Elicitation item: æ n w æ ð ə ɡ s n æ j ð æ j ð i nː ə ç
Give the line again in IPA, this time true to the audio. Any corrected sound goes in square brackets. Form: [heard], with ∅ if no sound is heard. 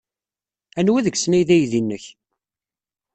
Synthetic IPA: æ n w æ ð ə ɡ s n æ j ð æ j ð i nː ə ç